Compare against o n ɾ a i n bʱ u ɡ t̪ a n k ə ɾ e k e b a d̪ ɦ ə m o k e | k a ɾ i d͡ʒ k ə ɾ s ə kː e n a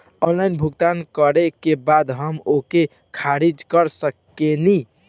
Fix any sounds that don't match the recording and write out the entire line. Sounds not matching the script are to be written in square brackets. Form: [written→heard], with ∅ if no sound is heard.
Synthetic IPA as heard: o n [ɾ→l] a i n bʱ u ɡ t̪ a n k ə ɾ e k e b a d̪ ɦ ə m o k e | [k→kʰ] a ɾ i d͡ʒ k ə ɾ s ə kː e n [a→i]